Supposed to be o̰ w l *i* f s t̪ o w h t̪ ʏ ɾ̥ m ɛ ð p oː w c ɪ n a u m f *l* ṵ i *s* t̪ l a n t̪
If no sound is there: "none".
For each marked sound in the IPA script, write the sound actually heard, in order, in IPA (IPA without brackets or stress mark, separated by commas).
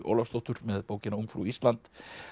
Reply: a, ɾ, s